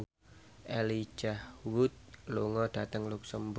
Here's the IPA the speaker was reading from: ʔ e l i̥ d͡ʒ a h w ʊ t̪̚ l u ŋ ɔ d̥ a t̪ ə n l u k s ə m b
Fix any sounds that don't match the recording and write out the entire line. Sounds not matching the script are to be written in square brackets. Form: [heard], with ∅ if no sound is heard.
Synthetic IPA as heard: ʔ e l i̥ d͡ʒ a h w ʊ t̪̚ l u ŋ ɔ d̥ a t̪ ə [ŋ] l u k s ə m b